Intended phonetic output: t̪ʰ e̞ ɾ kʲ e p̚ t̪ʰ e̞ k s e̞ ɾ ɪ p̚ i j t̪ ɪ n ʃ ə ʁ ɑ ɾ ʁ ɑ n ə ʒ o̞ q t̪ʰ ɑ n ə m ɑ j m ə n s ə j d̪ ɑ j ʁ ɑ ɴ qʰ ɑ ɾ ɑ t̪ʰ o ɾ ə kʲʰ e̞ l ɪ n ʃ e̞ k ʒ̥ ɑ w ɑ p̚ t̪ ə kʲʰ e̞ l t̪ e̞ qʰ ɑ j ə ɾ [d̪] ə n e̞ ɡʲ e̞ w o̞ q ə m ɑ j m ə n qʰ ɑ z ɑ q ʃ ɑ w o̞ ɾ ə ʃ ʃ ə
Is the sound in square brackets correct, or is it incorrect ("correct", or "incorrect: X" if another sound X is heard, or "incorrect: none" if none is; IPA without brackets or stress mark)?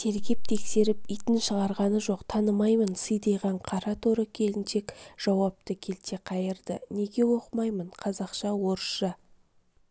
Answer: correct